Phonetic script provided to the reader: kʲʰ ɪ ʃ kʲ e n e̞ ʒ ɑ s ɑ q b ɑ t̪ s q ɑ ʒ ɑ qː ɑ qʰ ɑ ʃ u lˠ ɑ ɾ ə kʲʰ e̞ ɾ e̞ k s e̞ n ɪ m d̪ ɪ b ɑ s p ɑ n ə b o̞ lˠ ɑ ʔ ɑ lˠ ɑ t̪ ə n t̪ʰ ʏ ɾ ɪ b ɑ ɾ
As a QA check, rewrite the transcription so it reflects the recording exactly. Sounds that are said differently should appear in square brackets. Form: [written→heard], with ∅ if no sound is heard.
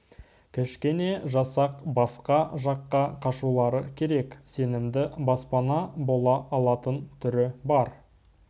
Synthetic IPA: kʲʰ ɪ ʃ kʲ e n e̞ ʒ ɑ s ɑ q b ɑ [t̪→∅] s q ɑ ʒ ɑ qː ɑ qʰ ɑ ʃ u lˠ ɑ ɾ ə kʲʰ e̞ ɾ e̞ k s e̞ n ɪ m d̪ ɪ b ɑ s p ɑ n [ə→ɑ] b o̞ lˠ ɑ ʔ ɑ lˠ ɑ t̪ ə n t̪ʰ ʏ ɾ ɪ b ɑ ɾ